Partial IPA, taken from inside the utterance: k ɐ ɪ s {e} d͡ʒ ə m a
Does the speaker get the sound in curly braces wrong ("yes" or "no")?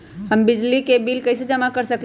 no